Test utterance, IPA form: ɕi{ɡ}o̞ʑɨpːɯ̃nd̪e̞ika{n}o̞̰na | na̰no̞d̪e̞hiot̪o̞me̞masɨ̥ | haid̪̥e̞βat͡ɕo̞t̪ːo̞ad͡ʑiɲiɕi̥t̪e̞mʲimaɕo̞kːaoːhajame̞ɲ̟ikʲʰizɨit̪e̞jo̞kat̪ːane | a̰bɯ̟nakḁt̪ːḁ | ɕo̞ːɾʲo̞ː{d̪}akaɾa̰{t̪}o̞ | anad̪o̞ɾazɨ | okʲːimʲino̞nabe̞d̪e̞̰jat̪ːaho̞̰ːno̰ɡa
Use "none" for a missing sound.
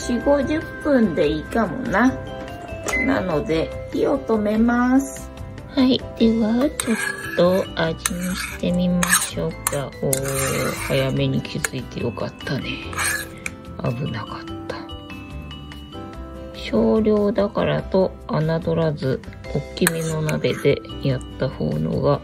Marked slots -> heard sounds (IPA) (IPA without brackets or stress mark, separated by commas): ɡ, m, d̪, t̪